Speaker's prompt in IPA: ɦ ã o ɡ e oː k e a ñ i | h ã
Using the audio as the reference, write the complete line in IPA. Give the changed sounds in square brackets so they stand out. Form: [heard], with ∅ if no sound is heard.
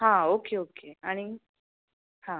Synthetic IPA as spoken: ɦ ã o [k] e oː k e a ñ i | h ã